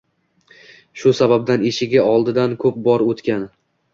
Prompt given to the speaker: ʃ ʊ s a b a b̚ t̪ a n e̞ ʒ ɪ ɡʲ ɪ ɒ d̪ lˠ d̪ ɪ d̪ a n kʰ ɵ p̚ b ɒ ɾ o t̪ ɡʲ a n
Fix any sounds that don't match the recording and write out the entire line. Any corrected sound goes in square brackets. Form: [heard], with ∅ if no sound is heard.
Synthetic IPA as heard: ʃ ʊ s a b a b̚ [d̪] a n e̞ [ʃ] ɪ ɡʲ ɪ ɒ [∅] lˠ d̪ ɪ d̪ a n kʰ ɵ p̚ b ɒ ɾ o t̪ [kʲ] a n